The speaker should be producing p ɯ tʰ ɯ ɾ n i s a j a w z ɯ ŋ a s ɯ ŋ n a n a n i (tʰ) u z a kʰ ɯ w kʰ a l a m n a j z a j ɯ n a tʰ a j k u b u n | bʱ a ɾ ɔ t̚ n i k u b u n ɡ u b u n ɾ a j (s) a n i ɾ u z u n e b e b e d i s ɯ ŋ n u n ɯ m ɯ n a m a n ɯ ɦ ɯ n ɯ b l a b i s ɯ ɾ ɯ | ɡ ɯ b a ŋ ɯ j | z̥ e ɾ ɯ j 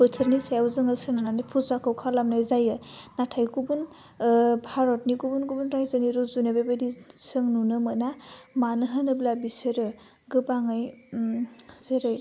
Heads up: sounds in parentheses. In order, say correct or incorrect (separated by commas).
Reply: incorrect, incorrect